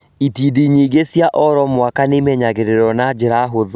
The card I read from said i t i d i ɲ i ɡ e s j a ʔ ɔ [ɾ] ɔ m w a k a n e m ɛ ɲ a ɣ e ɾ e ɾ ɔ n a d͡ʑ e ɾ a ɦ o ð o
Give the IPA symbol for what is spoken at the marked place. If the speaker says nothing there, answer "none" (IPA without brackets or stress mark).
ɾ